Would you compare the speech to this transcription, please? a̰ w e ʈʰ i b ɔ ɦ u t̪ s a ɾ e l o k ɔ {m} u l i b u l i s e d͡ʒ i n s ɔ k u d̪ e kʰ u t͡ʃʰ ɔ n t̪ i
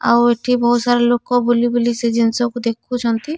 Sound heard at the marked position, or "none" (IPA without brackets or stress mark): b